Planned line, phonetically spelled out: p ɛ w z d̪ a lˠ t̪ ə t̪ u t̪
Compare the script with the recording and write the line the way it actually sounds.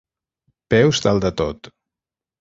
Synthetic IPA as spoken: p ɛ w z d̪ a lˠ d̪ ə t̪ o t̪